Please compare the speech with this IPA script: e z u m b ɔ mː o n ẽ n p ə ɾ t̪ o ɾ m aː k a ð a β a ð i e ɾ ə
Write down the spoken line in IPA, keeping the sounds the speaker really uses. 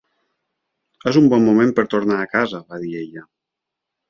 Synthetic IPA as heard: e z u m b ɔ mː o m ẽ m p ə ɾ t̪ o ɾ n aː k a z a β a ð i e ʎ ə